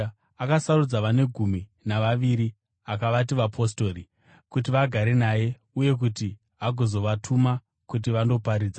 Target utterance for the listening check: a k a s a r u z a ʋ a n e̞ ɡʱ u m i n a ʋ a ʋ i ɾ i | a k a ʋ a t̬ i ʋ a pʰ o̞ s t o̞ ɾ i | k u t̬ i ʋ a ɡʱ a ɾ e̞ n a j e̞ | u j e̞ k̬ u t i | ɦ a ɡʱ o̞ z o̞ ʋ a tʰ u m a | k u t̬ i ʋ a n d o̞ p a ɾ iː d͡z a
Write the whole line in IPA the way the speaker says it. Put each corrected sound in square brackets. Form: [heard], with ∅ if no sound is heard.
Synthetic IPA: a k a s a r u [d͡z] a ʋ a n e̞ ɡʱ u m i n a ʋ a ʋ i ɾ i | a k a ʋ a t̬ i ʋ a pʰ o̞ s t o̞ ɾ i | k u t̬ i ʋ a ɡʱ a ɾ e̞ n a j e̞ | u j e̞ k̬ u t i | ɦ a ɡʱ o̞ z o̞ ʋ a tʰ u m a | k u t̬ i ʋ a n d o̞ p a ɾ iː d͡z a

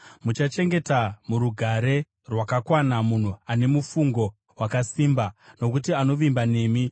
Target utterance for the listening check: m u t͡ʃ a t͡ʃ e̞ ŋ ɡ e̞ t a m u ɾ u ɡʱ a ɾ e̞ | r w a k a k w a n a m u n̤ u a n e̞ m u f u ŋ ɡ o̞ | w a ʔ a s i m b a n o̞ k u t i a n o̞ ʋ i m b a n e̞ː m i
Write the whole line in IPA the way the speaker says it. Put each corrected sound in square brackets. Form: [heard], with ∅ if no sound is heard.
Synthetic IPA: m u t͡ʃ a t͡ʃ e̞ ŋ ɡ e̞ t a m u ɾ u ɡʱ a ɾ e̞ | r w a k a k w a n a m u n̤ u a n e̞ m u f u ŋ ɡ o̞ | w a [k] a s i m b a n o̞ k u t i a n o̞ ʋ i m b a n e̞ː m i

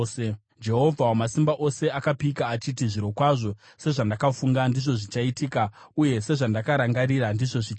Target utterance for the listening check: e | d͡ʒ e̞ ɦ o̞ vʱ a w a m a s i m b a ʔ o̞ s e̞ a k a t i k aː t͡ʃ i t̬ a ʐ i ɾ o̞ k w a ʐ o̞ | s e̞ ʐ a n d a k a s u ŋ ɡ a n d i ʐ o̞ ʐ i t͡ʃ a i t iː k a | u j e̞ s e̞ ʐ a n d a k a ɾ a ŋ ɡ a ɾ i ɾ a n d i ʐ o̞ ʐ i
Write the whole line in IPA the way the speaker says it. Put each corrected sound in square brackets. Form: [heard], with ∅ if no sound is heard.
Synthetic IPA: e | d͡ʒ e̞ ɦ o̞ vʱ a w a m a s i m b a ʔ o̞ s e̞ a k a [p] i k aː t͡ʃ i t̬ [i] ʐ i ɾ o̞ k w a ʐ o̞ | s e̞ ʐ a n d a k a [f] u ŋ ɡ a n d i ʐ o̞ ʐ i t͡ʃ a i t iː k a | u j e̞ s e̞ ʐ a n d a k a ɾ a ŋ ɡ a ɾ i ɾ a n d i ʐ o̞ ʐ i

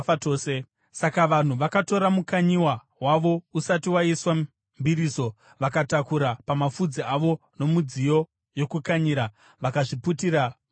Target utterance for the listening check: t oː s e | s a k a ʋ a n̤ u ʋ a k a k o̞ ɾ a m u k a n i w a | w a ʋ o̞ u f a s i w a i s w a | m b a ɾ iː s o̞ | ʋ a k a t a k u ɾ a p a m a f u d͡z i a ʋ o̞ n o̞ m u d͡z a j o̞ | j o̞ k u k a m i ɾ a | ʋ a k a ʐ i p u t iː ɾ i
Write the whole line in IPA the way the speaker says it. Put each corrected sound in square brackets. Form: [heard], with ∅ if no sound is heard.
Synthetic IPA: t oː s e | s a k a ʋ a n̤ u ʋ a k a [t] o̞ ɾ a m u k a [ɲ] i w a | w a ʋ o̞ u [s] a [t] i w a i s w a | m b [i] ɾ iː s o̞ | ʋ a k a t a k u ɾ a p a m a f u d͡z i a ʋ o̞ n o̞ m u d͡z [i] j o̞ | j o̞ k u k a [ɲ] i ɾ a | ʋ a k a ʐ i p u t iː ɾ [a]

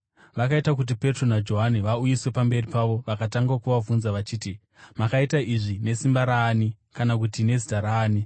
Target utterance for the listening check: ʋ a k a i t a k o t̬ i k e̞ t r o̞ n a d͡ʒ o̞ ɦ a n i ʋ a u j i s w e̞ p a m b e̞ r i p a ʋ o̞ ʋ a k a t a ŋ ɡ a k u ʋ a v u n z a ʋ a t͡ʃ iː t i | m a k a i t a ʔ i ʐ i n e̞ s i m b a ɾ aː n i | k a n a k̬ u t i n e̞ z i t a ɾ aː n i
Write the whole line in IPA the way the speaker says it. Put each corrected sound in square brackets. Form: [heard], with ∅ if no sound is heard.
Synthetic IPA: ʋ a k a i t a k [u] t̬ i [p] e̞ t r o̞ n a d͡ʒ o̞ ɦ a n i ʋ a u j i s w e̞ p a m b e̞ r i p a ʋ o̞ ʋ a k a t a ŋ ɡ a k u ʋ a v u n z a ʋ a t͡ʃ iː t i | m a k a i t a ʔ i ʐ i n e̞ s i m b a ɾ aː n i | k a n a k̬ u t i n e̞ z i t a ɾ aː n i

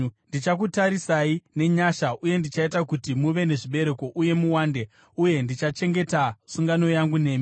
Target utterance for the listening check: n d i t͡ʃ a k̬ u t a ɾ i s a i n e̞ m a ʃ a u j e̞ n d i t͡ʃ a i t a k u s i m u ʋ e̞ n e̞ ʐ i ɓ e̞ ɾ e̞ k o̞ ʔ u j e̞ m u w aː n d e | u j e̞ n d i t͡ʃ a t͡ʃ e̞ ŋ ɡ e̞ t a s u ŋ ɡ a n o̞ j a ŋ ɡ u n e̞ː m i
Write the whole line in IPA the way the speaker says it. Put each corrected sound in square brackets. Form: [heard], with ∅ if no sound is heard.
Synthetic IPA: n d i t͡ʃ a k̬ u t a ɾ i s a i n e̞ [ɲ] a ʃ a u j e̞ n d i t͡ʃ a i t a k u [t] i m u ʋ e̞ n e̞ ʐ i ɓ e̞ ɾ e̞ k o̞ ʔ u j e̞ m u w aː n d e | u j e̞ n d i t͡ʃ a t͡ʃ e̞ ŋ ɡ e̞ t a s u ŋ ɡ a n o̞ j a ŋ ɡ u n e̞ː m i

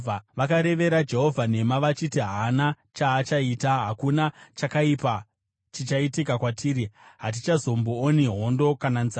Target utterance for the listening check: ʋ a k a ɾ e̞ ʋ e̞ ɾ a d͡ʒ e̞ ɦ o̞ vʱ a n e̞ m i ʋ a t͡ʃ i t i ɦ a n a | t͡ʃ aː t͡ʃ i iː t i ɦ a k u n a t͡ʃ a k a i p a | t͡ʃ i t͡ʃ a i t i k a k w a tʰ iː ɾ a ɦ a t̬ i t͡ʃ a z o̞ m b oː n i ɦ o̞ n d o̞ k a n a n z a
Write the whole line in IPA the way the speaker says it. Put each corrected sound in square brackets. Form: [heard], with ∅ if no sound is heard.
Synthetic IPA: ʋ a k a ɾ e̞ ʋ e̞ ɾ a d͡ʒ e̞ ɦ o̞ vʱ a n e̞ m [a] ʋ a t͡ʃ i t i ɦ a n a | t͡ʃ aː t͡ʃ [a] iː t [a] ɦ a k u n a t͡ʃ a k a i p a | t͡ʃ i t͡ʃ a i t i k a k w a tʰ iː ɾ [i] ɦ a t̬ i t͡ʃ a z o̞ m b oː n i ɦ o̞ n d o̞ k a n a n z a

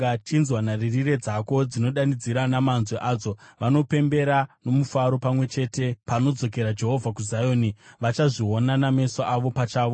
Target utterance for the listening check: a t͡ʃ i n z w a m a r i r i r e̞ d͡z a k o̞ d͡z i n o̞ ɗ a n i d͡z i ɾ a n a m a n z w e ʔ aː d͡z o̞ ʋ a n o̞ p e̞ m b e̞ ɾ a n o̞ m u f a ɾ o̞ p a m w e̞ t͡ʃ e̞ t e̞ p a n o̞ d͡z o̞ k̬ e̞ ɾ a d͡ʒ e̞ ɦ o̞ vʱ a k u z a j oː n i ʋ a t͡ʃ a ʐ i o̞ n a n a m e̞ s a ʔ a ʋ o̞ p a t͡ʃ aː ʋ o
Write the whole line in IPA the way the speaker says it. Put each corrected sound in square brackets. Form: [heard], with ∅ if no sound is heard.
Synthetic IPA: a t͡ʃ i n z w a [n] a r i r i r e̞ d͡z a k o̞ d͡z i n o̞ ɗ a n i d͡z i ɾ a n a m a n z w e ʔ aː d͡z o̞ ʋ a n o̞ p e̞ m b e̞ ɾ a n o̞ m u f a ɾ o̞ p a m w e̞ t͡ʃ e̞ t e̞ p a n o̞ d͡z o̞ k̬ e̞ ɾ a d͡ʒ e̞ ɦ o̞ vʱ a k u z a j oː n i ʋ a t͡ʃ a ʐ i o̞ n a n a m e̞ s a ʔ a ʋ o̞ p a t͡ʃ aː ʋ o

